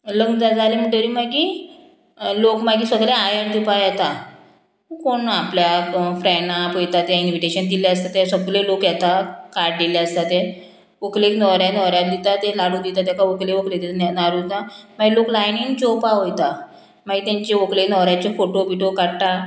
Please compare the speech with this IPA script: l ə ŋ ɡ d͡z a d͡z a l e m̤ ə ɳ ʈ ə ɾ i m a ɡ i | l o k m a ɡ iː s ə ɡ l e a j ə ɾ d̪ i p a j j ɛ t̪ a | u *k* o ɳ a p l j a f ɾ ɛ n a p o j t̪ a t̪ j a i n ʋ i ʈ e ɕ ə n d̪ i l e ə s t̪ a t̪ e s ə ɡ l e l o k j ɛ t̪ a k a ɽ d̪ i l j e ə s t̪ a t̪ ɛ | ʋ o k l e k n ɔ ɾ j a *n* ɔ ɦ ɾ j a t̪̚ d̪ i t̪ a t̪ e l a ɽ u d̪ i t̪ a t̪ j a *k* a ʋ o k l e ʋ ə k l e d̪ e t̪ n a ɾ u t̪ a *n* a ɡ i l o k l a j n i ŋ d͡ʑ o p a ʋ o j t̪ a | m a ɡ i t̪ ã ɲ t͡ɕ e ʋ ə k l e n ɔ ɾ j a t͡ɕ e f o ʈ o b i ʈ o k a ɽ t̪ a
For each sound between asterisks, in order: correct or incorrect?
correct, correct, correct, incorrect: m

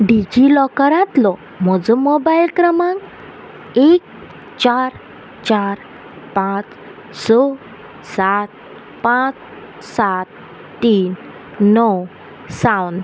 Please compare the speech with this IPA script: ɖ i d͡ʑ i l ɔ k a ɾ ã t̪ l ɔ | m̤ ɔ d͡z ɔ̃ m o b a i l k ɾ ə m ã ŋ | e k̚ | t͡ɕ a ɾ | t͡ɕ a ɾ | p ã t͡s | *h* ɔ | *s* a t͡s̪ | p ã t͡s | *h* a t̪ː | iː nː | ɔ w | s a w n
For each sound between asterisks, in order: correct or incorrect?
incorrect: s, correct, incorrect: s

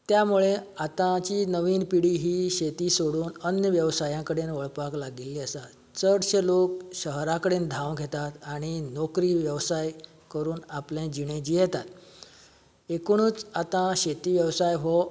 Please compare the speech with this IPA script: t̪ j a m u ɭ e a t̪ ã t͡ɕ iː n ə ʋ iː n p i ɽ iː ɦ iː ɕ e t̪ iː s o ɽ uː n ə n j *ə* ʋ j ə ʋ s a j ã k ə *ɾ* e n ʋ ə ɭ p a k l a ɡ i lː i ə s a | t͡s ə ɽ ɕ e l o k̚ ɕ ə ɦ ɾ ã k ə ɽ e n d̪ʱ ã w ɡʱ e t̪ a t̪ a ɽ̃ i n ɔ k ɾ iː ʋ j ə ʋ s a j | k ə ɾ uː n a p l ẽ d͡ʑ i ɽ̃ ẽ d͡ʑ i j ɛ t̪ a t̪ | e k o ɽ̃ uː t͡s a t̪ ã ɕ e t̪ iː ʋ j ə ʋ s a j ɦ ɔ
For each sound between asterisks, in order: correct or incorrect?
correct, incorrect: ɽ

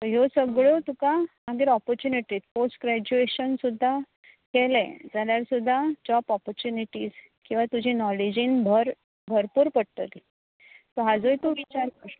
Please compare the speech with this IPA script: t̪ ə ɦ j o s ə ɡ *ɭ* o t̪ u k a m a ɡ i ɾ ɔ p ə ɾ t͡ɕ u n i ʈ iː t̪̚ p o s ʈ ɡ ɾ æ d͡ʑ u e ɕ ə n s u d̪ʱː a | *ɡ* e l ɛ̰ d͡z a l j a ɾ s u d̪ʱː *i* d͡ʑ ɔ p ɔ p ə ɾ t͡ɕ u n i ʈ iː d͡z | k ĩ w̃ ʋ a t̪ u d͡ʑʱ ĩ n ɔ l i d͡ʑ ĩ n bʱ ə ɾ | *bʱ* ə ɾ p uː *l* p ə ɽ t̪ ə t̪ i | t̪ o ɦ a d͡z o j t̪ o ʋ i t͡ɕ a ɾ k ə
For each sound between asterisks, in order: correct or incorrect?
correct, incorrect: k, incorrect: a, correct, incorrect: ɾ

